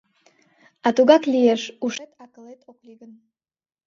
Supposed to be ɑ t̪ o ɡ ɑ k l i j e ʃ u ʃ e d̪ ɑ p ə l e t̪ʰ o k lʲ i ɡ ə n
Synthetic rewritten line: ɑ t̪ u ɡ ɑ k l i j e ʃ u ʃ e t̪ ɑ k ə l e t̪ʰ o k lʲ i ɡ ə n